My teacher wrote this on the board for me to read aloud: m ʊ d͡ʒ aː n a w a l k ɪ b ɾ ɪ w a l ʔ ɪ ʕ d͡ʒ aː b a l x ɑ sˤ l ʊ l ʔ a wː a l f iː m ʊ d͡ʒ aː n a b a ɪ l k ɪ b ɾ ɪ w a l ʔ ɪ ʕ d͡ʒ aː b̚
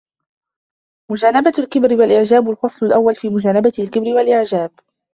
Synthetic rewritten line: m ʊ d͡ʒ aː n a b a l k ɪ b ɾ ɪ w a l ʔ ɪ ʕ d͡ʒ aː b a l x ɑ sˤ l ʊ l ʔ a wː a l f iː m ʊ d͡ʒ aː n a b a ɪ l k ɪ b ɾ ɪ w a l ʔ ɪ ʕ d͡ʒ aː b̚